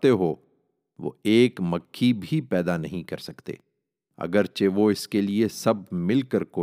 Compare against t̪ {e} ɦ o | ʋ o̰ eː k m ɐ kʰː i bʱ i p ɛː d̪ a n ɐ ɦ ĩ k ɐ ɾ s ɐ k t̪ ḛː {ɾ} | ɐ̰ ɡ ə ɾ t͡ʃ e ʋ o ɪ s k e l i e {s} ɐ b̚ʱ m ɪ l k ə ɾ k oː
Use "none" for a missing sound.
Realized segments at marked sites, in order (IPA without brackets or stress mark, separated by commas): e, none, s